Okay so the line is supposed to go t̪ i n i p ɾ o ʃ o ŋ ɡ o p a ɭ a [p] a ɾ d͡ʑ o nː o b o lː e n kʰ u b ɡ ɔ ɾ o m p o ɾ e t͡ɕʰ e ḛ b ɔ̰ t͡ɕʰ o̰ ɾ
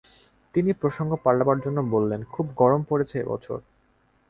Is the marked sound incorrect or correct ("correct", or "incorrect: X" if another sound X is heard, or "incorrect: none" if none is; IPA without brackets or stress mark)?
incorrect: b